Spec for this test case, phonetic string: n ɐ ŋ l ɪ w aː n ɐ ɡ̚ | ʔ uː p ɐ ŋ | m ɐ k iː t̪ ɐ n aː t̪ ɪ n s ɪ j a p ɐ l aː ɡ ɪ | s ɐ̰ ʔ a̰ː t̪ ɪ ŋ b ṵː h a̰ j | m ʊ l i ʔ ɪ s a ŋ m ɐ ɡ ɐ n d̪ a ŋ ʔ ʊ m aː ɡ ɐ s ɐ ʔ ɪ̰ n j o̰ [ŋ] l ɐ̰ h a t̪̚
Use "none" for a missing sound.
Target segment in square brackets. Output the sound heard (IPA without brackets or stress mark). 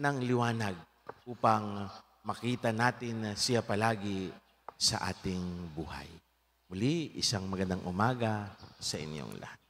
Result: ŋ